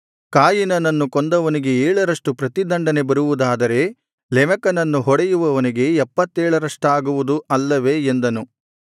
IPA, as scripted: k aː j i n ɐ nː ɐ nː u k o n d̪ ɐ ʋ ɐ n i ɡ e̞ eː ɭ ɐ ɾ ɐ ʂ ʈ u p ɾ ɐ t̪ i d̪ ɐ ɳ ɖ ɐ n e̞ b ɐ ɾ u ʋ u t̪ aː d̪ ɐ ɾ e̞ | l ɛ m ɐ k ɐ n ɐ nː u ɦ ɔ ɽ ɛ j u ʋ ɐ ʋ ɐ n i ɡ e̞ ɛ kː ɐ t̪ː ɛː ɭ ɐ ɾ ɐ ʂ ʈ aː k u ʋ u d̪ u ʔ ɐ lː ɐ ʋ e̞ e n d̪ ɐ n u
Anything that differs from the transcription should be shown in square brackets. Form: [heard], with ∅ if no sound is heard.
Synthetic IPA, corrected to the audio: k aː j i n ɐ [n] ɐ nː u k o n d̪ ɐ ʋ ɐ n i ɡ e̞ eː ɭ ɐ ɾ ɐ ʂ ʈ u p ɾ ɐ t̪ i d̪ ɐ ɳ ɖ ɐ n e̞ b ɐ ɾ u ʋ u [d̪] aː d̪ ɐ ɾ e̞ | l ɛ m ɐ k ɐ n ɐ nː u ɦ ɔ ɽ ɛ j u ʋ ɐ ʋ ɐ n i ɡ e̞ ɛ [pː] ɐ t̪ː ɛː ɭ ɐ ɾ ɐ ʂ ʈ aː [ɡ] u ʋ u d̪ u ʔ ɐ lː ɐ ʋ e̞ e n d̪ ɐ n u